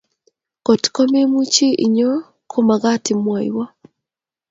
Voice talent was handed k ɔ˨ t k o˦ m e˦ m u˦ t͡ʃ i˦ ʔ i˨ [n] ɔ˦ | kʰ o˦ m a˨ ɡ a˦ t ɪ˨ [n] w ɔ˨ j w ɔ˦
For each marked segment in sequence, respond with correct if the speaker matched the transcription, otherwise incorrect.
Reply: incorrect, incorrect

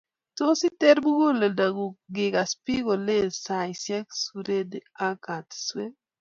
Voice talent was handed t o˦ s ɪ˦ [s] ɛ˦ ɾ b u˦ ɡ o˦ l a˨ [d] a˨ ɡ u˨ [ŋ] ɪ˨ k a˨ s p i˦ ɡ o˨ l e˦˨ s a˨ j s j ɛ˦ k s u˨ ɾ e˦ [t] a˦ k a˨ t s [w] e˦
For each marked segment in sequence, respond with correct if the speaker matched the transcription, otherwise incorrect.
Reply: incorrect, correct, incorrect, incorrect, correct

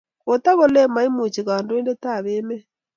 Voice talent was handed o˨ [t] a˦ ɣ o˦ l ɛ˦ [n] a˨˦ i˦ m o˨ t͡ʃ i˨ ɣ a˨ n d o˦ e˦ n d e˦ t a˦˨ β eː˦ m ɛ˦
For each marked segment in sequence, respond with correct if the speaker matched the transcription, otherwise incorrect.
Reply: correct, incorrect

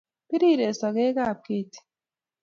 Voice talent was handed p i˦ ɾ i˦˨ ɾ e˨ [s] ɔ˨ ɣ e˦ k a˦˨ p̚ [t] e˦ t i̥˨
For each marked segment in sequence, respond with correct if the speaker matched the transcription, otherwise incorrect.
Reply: correct, incorrect

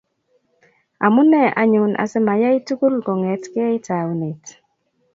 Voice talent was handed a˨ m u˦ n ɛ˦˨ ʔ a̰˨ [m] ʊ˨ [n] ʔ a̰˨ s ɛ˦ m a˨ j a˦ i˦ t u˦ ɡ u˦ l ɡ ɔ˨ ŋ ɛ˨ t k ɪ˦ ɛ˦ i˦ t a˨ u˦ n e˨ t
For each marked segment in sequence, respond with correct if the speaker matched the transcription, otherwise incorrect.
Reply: incorrect, correct

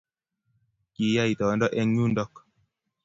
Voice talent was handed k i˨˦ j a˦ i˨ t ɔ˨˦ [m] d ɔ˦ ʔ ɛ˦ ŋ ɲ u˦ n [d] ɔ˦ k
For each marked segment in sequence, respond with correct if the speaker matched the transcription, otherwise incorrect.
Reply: incorrect, correct

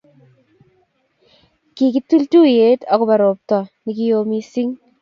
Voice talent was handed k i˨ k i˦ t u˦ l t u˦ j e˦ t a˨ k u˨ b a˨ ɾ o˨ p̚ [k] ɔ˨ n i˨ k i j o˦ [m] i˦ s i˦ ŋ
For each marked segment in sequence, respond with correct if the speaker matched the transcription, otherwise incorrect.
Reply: incorrect, correct

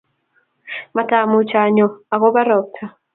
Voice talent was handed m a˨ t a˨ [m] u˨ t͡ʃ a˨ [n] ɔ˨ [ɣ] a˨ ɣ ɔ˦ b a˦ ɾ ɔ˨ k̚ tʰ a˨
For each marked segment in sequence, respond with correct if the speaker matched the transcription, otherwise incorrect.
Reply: correct, incorrect, incorrect

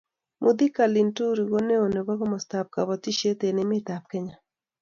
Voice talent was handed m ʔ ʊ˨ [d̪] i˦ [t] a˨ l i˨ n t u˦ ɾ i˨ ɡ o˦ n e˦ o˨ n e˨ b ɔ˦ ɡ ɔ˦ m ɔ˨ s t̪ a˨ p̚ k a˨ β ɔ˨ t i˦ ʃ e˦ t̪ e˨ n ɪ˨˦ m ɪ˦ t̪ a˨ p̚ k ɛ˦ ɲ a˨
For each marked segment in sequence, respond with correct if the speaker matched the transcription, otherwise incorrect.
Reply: correct, incorrect

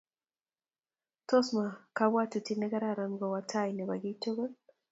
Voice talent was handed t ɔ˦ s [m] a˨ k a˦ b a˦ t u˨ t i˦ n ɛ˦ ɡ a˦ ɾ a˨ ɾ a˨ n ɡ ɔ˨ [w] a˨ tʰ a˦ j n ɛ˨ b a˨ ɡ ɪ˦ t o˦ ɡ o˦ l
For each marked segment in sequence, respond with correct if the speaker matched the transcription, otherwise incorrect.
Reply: correct, correct

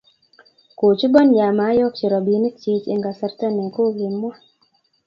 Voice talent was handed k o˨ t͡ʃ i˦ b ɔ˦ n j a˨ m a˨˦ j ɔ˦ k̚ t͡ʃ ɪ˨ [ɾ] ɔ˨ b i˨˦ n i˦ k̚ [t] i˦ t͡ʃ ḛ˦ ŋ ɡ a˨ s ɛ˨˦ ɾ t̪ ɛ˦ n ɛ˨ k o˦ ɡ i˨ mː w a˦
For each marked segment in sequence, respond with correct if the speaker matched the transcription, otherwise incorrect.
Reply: correct, incorrect

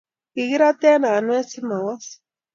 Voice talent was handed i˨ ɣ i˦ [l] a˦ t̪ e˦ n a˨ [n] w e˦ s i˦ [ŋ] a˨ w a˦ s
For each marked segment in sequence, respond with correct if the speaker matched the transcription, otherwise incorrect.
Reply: incorrect, correct, incorrect

